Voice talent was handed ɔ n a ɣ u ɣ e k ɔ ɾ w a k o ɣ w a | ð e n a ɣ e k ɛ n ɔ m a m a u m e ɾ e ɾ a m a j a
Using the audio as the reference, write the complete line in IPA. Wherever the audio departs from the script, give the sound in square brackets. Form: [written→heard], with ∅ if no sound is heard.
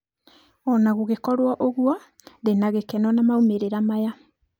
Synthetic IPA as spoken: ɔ n a ɣ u ɣ e k ɔ ɾ w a [k→ʔ] o ɣ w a | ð e n a ɣ e k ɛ n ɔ [m→n] a m a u m e ɾ e ɾ a m a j a